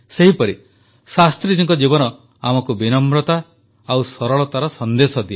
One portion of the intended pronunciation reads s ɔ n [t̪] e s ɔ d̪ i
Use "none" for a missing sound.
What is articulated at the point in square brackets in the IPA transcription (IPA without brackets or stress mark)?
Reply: d̪